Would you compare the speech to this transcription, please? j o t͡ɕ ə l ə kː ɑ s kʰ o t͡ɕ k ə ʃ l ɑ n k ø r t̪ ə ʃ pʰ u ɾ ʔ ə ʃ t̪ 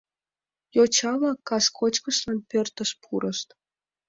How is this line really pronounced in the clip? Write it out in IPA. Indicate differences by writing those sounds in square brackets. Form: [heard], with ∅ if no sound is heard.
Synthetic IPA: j o t͡ɕ [ɑ] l [ɑ] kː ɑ s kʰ o t͡ɕ k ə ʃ l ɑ n [p] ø r t̪ ə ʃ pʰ u ɾ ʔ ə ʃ t̪